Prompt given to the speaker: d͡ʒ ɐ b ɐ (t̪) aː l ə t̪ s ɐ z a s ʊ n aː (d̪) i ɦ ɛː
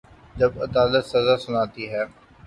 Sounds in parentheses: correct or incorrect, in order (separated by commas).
incorrect, incorrect